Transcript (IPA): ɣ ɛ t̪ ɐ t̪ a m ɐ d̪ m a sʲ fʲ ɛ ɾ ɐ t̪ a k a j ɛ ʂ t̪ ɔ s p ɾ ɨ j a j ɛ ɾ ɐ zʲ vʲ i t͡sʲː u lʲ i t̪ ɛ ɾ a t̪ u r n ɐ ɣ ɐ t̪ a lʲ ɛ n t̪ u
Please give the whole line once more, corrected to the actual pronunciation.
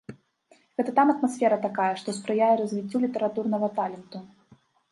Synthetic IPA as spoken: ɣ ɛ t̪ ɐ t̪ a m ɐ t̪ m a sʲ fʲ ɛ ɾ ɐ t̪ a k a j ɛ ʂ t̪ ɔ s p ɾ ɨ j a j ɛ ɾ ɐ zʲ vʲ i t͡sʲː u lʲ i t̪ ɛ ɾ a t̪ u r n ɐ ɣ ɐ t̪ a lʲ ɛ n t̪ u